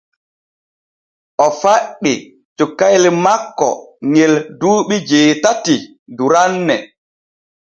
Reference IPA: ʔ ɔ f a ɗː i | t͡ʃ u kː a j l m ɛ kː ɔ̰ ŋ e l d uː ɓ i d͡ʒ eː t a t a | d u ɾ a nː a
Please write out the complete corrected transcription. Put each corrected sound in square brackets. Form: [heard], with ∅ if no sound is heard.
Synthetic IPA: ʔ ɔ f a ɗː i | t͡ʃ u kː a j l m [a] kː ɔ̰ ŋ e l d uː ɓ i d͡ʒ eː t a t [i] | d u ɾ a nː [ɛ]